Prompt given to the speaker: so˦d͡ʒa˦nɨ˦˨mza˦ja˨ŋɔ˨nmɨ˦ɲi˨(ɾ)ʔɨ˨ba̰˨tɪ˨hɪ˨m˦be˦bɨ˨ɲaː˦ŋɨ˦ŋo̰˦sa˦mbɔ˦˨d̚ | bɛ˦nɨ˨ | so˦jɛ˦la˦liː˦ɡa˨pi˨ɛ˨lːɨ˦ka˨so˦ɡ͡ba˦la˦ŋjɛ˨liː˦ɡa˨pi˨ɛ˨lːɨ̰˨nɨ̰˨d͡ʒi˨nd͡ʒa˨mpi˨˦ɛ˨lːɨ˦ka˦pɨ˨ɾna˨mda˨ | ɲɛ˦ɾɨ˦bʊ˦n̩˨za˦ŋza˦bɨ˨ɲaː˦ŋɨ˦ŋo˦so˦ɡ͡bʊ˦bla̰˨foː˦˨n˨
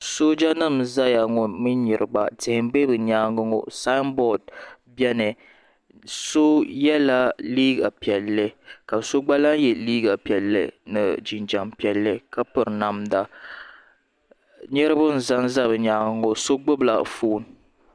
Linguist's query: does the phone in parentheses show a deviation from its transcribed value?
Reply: no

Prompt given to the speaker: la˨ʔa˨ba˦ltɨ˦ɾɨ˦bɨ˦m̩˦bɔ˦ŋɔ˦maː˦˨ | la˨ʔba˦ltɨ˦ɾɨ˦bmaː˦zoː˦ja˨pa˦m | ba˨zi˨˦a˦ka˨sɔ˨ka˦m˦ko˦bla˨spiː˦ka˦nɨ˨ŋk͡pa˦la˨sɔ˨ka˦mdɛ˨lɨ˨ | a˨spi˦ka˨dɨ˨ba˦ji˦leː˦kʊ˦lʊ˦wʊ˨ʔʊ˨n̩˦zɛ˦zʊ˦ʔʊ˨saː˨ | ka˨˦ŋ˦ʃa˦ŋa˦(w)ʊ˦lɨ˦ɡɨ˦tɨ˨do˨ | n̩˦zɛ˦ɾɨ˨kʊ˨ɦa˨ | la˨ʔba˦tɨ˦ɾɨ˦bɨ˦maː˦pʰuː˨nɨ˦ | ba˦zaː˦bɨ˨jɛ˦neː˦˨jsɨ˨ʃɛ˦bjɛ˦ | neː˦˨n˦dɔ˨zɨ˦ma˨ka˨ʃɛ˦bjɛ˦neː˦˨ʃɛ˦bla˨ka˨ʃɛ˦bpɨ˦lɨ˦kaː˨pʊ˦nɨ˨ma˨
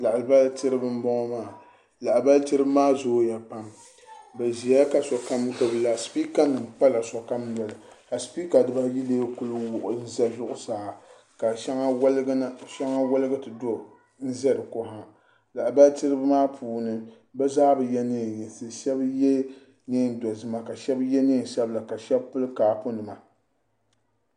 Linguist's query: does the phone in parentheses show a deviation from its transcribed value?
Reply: no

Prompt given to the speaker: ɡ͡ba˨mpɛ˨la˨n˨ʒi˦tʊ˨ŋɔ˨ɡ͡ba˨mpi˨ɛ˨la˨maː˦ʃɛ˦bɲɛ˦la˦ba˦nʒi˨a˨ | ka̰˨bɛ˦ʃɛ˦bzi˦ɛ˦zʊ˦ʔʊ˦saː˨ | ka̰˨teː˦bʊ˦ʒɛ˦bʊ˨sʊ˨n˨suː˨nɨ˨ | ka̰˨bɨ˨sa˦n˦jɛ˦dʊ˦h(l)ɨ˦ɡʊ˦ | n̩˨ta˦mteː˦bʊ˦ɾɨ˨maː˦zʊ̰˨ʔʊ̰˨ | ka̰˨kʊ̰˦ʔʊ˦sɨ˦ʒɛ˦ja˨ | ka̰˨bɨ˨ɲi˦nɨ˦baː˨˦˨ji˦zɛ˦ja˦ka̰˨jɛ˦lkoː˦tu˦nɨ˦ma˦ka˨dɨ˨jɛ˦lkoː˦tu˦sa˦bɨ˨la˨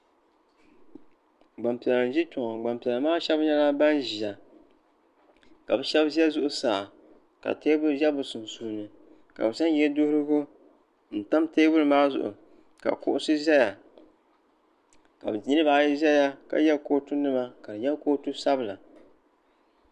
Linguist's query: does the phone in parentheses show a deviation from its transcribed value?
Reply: yes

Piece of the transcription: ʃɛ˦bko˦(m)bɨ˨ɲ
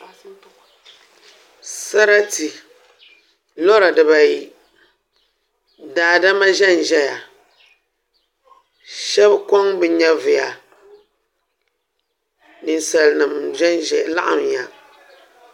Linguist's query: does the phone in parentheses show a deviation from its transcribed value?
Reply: yes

